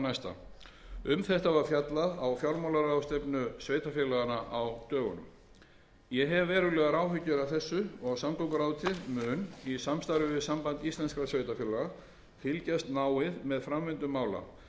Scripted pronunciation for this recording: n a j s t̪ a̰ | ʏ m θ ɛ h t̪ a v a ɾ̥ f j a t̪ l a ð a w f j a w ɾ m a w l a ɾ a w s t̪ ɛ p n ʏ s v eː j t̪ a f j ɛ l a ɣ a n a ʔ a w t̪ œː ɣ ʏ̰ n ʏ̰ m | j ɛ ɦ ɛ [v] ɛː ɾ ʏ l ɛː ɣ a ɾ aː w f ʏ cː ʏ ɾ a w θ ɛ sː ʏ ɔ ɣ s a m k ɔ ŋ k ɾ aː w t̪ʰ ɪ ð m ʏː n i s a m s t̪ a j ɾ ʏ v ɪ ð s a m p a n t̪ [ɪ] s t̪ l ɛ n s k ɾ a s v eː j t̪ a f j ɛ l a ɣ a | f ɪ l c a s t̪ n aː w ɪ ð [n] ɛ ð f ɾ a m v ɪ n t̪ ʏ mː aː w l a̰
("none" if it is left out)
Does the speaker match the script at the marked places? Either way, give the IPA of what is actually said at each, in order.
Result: vː, i, m

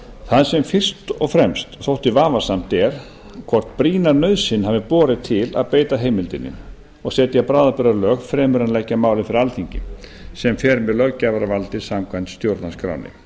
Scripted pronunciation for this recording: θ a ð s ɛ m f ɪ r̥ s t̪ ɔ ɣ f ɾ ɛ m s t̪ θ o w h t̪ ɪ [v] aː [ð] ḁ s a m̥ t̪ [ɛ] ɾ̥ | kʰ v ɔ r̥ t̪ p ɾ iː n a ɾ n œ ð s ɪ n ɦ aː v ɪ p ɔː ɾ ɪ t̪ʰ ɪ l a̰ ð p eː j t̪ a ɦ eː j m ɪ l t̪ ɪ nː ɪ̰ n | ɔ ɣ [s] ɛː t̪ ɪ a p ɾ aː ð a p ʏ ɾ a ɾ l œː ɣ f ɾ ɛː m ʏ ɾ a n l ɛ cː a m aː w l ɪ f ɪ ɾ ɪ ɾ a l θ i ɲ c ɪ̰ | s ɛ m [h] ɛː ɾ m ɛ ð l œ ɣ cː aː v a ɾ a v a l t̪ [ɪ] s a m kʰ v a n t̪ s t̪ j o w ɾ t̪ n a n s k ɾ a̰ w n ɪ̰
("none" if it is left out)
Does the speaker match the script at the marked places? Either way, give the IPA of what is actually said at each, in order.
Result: v, v, ɛ, s, f, ɪ

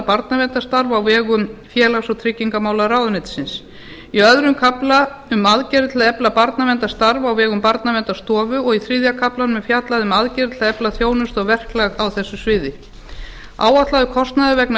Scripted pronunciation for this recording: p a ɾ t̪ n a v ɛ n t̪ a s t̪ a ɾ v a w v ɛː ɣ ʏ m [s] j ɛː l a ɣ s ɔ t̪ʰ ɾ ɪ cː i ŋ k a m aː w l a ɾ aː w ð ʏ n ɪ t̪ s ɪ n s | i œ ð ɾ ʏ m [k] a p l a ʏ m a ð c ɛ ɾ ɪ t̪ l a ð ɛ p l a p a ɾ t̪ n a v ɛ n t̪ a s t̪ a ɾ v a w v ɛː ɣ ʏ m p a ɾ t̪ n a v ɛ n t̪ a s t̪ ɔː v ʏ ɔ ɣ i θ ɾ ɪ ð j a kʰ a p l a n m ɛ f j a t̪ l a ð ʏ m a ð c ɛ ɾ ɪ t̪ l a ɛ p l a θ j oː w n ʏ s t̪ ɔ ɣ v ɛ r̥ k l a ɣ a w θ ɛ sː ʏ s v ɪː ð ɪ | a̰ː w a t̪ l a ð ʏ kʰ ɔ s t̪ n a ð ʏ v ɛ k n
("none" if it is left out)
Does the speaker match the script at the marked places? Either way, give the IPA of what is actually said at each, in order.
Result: f, kʰ

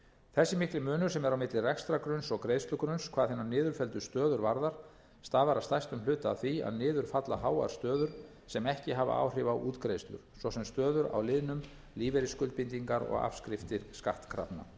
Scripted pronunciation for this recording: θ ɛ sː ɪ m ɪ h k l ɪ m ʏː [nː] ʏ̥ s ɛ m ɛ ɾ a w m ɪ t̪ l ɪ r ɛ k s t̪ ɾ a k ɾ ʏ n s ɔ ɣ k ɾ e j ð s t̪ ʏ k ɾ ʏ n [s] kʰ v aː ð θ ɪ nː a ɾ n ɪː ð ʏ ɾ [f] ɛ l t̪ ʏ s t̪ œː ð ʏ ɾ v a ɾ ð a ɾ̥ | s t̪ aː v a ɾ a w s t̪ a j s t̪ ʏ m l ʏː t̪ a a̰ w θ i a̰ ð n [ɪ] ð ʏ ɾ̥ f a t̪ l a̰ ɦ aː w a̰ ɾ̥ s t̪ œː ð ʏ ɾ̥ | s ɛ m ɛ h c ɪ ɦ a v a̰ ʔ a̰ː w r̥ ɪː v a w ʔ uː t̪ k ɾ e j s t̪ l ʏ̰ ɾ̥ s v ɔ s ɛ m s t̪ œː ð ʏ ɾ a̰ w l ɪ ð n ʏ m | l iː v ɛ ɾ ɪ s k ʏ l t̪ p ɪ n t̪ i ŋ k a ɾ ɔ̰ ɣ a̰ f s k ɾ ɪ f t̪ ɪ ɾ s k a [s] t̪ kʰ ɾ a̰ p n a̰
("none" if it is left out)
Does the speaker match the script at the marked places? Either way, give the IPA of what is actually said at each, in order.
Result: n, s, f, ɪː, h

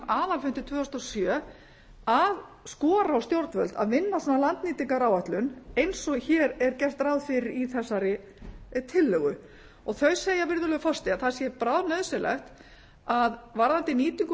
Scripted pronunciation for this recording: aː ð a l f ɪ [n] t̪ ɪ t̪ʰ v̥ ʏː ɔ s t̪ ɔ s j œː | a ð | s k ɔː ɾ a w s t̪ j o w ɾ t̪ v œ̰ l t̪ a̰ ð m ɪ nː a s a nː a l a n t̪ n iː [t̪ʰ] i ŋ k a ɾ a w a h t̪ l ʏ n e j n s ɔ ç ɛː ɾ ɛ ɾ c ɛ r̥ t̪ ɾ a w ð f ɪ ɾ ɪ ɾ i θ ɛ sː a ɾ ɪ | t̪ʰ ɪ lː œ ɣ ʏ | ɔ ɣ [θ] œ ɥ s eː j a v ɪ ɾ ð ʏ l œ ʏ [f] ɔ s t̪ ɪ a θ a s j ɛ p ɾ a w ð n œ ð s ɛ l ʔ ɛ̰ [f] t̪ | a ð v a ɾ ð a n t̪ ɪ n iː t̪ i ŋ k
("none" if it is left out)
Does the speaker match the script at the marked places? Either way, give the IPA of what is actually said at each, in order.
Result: n, t̪, θ, f, x

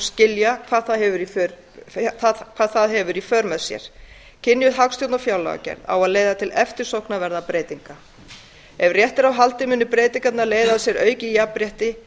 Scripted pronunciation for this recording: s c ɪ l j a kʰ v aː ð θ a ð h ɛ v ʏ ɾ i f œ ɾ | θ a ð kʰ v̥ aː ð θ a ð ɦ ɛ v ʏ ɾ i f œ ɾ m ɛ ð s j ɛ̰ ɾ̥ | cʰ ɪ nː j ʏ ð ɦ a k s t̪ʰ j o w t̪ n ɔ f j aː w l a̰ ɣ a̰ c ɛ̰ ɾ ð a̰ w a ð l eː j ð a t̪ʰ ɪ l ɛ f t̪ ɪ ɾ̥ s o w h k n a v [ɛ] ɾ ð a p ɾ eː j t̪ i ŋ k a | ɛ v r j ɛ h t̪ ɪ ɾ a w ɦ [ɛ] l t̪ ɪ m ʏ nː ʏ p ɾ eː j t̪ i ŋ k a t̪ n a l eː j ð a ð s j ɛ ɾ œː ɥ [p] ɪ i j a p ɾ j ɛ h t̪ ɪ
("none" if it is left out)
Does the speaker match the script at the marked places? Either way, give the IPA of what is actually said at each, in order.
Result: ɛ, a, c

